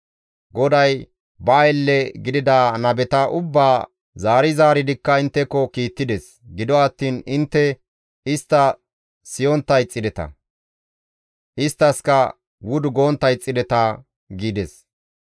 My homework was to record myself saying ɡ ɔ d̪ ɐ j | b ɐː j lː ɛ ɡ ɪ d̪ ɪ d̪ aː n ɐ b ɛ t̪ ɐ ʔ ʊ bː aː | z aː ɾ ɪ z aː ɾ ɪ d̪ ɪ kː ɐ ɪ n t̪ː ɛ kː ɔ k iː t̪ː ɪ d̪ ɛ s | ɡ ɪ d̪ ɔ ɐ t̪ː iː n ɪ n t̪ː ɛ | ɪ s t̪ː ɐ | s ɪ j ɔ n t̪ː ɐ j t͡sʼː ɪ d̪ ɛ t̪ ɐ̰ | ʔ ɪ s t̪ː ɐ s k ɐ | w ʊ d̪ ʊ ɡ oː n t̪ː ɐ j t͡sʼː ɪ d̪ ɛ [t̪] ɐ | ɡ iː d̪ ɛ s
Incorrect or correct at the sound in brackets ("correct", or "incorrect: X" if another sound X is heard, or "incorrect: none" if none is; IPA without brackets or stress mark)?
correct